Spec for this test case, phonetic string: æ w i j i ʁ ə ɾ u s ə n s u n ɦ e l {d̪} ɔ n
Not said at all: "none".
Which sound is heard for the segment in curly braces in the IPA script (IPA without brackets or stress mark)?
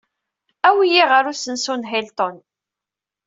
t̪